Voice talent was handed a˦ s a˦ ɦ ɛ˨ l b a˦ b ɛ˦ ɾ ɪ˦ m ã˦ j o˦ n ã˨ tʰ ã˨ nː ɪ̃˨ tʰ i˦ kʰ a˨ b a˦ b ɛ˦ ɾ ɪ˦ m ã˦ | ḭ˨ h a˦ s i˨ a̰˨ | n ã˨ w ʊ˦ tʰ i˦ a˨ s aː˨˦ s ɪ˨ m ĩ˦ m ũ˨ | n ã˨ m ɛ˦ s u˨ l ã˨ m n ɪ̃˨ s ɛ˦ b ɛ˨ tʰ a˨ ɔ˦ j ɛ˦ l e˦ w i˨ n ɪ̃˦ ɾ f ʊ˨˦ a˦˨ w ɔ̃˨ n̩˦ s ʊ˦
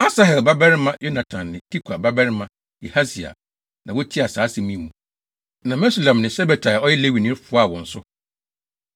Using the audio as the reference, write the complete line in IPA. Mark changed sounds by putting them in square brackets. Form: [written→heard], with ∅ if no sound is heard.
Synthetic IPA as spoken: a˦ s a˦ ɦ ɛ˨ l b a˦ b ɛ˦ ɾ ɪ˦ m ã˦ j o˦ n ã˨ tʰ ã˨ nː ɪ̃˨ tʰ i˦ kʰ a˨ b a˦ b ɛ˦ ɾ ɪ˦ m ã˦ | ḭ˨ h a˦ s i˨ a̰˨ | n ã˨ w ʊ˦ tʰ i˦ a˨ s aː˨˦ s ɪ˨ m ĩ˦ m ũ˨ | n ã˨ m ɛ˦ s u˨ l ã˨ m n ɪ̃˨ s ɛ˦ b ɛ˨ tʰ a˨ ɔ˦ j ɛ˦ l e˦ w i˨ n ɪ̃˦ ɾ f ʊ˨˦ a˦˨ w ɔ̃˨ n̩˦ s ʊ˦